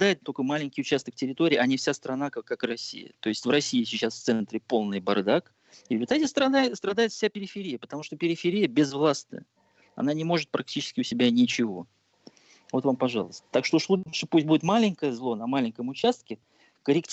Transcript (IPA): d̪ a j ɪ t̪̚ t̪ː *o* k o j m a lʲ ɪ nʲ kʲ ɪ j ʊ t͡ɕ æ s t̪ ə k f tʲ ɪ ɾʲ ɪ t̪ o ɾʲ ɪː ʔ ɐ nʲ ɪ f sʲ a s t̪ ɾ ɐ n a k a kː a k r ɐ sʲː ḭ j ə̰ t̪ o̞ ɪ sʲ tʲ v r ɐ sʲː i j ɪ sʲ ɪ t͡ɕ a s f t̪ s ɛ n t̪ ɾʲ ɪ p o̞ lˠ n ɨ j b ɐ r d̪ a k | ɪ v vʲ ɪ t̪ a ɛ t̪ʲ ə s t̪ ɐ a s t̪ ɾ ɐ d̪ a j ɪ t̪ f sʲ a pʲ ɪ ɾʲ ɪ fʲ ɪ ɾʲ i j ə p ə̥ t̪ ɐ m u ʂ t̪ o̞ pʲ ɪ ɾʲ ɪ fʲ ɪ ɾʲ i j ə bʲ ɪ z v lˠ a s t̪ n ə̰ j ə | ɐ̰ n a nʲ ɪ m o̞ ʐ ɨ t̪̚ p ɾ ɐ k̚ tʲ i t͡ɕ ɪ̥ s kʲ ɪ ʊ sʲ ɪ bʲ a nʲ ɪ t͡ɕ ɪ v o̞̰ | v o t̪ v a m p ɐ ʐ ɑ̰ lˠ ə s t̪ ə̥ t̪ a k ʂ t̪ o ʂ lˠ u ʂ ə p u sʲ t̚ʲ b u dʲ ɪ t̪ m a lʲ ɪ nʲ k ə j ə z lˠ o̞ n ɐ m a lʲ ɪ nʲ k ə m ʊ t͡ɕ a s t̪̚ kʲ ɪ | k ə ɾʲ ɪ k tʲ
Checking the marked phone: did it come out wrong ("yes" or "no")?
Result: no